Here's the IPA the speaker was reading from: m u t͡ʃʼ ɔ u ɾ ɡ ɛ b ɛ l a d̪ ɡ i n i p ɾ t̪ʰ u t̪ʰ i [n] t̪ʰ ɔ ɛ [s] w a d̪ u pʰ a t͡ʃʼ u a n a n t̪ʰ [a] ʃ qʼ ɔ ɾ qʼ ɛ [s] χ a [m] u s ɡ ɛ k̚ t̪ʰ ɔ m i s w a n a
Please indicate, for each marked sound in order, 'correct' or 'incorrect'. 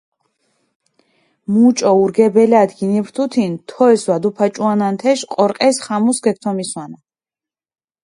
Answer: correct, correct, incorrect, correct, correct

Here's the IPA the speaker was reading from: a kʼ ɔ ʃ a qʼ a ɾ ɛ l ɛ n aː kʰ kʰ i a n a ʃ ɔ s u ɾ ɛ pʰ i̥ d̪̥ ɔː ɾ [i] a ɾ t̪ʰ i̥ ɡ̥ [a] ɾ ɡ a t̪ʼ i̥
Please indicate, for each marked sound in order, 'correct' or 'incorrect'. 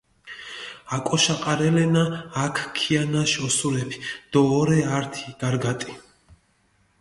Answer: incorrect, correct

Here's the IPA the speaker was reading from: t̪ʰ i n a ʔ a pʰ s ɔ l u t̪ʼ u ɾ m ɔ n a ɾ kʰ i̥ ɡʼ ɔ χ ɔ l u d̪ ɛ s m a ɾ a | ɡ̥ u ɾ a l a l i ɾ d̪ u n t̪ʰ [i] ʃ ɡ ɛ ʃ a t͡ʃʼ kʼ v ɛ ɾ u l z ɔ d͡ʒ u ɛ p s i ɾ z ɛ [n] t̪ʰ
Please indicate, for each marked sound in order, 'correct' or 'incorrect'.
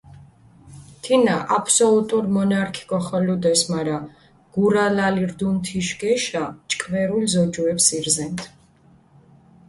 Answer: correct, correct

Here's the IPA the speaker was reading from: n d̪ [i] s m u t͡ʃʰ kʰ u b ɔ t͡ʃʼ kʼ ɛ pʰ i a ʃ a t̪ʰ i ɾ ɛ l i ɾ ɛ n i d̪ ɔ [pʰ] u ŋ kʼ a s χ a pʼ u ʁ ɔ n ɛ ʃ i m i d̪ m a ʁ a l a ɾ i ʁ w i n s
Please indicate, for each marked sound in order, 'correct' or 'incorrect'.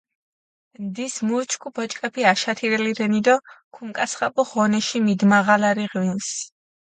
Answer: correct, incorrect

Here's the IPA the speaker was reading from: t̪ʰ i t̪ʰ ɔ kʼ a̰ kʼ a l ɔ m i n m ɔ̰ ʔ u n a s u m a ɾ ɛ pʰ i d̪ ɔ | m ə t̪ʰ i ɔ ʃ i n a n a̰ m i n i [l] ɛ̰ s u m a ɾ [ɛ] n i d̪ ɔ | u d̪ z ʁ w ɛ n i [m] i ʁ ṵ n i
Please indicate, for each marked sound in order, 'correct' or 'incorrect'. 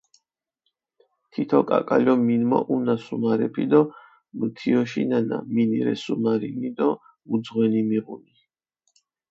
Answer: incorrect, incorrect, correct

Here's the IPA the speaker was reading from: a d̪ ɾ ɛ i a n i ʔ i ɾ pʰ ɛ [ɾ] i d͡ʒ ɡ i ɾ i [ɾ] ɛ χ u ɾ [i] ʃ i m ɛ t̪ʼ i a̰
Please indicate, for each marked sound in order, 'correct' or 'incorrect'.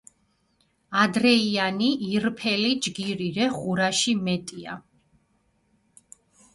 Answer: incorrect, correct, incorrect

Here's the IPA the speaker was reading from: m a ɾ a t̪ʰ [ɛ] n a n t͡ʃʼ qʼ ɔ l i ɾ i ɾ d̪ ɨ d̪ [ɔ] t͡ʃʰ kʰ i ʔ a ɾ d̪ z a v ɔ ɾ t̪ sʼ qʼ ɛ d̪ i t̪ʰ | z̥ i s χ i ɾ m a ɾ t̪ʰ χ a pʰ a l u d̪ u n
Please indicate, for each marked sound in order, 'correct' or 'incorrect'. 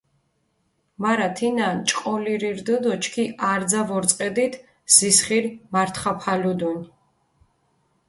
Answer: incorrect, correct

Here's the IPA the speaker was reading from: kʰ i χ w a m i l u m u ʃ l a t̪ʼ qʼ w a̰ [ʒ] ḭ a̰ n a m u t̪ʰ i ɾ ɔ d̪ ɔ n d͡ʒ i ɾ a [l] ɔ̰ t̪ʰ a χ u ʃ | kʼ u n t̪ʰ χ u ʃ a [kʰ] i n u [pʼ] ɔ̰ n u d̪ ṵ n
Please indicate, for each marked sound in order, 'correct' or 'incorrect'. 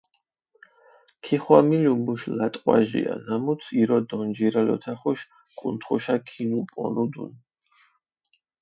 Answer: correct, correct, correct, correct

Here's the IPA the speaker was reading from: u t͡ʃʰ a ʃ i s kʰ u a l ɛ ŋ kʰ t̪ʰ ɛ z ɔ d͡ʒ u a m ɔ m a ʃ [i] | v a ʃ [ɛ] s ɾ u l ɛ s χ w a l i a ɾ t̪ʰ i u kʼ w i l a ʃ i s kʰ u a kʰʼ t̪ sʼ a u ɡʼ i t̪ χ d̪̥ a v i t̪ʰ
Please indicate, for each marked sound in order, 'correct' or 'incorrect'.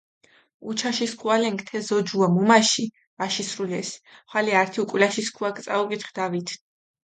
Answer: correct, incorrect

